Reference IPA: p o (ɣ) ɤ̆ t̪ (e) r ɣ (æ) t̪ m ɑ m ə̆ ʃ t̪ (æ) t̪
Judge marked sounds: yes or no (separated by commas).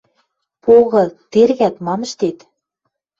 yes, yes, yes, no